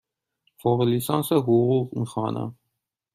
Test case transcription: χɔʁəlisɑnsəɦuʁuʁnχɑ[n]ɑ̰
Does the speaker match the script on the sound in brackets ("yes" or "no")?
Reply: yes